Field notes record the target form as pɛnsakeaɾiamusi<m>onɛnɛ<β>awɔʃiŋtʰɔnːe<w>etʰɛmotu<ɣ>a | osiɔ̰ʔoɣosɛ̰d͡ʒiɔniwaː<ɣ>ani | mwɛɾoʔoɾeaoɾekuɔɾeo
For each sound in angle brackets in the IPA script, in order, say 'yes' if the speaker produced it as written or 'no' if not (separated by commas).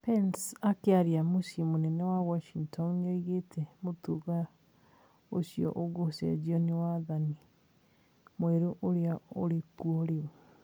yes, no, no, yes, no